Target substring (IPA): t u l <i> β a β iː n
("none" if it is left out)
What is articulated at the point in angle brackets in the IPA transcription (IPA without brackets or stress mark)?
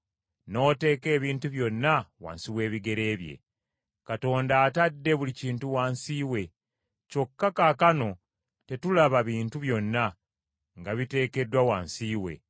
a